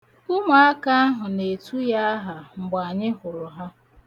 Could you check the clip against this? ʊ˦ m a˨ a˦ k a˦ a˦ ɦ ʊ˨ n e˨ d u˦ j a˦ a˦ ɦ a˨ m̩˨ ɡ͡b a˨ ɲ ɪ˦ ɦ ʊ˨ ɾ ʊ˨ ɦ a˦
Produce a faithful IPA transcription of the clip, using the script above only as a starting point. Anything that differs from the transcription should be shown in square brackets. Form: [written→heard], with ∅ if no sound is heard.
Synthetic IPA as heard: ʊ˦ m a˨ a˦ k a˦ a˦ ɦ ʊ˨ n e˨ [d→t] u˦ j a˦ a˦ ɦ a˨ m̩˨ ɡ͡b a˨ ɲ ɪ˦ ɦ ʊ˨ ɾ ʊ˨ ɦ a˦